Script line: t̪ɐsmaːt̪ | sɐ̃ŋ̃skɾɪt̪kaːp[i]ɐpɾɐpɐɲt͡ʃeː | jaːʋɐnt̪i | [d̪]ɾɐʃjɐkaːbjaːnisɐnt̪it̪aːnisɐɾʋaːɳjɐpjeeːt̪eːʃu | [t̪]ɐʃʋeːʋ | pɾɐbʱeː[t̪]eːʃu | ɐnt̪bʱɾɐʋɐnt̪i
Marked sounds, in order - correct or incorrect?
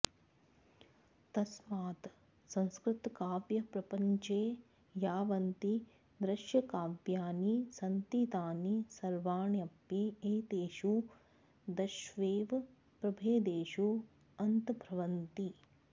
incorrect, correct, incorrect, incorrect

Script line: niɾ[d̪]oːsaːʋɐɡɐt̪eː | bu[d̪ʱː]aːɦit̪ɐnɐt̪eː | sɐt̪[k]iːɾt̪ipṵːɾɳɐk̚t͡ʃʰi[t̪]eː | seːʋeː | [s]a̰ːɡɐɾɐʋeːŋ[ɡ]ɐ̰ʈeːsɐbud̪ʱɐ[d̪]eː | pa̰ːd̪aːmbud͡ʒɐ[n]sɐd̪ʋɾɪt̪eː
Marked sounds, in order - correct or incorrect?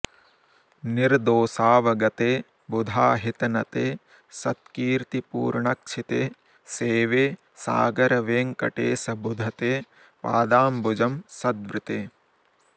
correct, incorrect, correct, correct, correct, incorrect, incorrect, incorrect

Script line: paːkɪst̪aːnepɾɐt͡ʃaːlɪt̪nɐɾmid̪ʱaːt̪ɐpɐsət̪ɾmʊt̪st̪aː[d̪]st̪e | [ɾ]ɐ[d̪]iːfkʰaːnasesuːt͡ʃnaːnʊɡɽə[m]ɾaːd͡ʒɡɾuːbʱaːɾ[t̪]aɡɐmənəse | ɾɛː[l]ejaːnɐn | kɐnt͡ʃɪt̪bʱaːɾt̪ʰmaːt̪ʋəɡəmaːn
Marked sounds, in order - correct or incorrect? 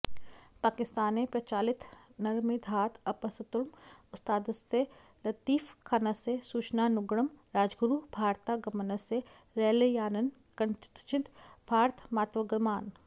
correct, incorrect, incorrect, correct, correct, correct

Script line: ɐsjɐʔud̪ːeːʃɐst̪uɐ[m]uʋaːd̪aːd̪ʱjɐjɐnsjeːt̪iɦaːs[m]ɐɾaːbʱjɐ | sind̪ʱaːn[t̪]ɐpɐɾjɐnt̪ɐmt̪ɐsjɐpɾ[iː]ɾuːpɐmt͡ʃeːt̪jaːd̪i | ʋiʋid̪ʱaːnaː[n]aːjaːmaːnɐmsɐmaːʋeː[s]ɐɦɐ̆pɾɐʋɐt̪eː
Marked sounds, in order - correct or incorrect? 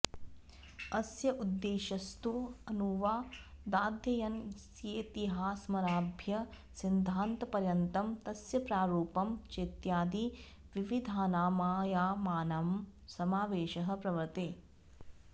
incorrect, correct, correct, incorrect, incorrect, incorrect

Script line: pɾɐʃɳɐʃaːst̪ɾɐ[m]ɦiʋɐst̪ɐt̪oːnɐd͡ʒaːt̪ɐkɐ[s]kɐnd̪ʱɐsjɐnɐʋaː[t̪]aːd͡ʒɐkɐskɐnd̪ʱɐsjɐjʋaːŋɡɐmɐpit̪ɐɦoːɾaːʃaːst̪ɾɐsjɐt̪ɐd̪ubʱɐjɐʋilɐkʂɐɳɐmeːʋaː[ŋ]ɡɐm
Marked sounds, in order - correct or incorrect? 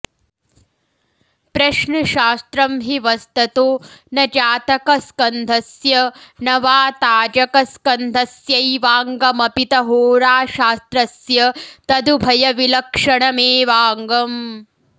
correct, correct, correct, correct

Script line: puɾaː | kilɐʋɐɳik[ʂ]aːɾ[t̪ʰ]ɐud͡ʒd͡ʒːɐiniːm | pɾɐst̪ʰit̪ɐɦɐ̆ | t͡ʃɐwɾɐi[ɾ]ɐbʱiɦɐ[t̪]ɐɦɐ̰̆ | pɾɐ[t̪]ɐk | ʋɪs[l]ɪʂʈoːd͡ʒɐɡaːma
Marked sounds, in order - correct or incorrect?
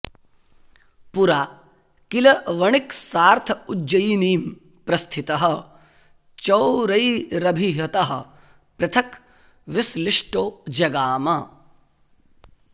incorrect, correct, correct, correct, incorrect, correct

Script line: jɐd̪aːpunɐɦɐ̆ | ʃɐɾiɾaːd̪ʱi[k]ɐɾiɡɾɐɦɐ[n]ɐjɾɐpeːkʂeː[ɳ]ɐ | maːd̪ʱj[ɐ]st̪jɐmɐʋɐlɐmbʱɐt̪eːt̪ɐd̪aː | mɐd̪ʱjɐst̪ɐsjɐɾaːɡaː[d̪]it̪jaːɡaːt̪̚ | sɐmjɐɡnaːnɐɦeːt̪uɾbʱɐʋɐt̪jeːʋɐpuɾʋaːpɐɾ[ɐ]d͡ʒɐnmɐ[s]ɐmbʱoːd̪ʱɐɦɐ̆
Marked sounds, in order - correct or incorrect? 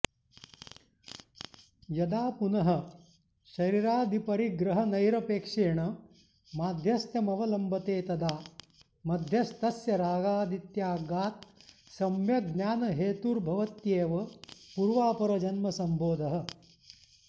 incorrect, correct, correct, correct, correct, correct, correct

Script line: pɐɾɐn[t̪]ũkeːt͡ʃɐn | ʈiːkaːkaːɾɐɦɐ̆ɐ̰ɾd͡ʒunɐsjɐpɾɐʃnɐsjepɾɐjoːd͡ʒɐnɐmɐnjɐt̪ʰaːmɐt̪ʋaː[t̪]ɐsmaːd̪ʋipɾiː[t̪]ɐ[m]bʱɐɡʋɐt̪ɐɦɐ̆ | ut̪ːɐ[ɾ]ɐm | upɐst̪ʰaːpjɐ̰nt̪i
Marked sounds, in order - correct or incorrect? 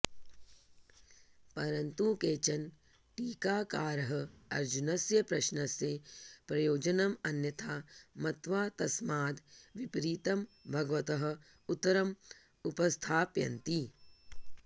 correct, correct, correct, correct, correct

